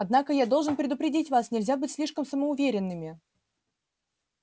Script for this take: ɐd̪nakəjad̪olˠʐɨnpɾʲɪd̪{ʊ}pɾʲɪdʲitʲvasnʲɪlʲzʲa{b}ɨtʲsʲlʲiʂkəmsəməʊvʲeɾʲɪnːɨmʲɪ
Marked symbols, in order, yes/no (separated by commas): yes, yes